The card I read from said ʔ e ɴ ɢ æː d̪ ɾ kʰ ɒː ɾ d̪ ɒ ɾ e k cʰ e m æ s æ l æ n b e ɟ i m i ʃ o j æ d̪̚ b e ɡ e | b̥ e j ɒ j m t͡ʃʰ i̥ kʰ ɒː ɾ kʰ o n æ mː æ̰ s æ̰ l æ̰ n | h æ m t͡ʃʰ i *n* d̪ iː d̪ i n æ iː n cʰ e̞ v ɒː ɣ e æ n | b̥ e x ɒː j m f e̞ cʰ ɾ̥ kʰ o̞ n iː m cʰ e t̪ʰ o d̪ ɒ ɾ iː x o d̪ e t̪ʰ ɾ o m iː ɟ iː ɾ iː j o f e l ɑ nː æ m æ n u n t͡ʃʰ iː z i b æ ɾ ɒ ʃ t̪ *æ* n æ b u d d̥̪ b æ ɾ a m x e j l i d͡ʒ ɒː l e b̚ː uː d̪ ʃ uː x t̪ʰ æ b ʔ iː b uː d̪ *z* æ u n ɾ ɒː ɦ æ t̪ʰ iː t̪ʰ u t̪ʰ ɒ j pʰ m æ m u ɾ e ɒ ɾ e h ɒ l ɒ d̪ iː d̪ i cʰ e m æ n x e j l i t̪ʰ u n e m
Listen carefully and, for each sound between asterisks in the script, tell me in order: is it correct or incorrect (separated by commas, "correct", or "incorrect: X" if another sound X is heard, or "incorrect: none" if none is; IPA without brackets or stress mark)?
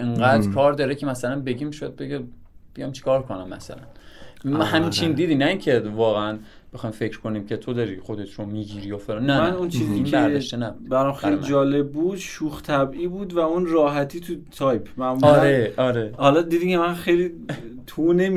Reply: correct, incorrect: e, incorrect: v